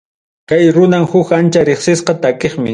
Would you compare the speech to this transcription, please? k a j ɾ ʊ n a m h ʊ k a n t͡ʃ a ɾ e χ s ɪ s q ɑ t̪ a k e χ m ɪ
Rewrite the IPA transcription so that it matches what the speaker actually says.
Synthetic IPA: k a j ɾ ʊ n a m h ʊ k a n t͡ʃ a ɾ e χ s ɪ s q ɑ t̪ a k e χ m ɪ